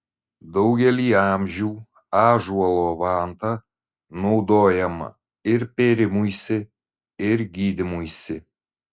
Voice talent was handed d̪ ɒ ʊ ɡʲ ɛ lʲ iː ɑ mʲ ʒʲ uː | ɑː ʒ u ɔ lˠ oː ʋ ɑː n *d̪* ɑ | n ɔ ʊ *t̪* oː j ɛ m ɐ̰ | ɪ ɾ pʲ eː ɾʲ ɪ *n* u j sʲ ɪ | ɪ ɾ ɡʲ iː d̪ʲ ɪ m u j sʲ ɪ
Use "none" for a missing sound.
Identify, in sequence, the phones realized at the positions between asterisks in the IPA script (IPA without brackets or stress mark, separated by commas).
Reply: t̪, d̪, m